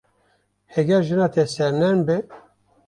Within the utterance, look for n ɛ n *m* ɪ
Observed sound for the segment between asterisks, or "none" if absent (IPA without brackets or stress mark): b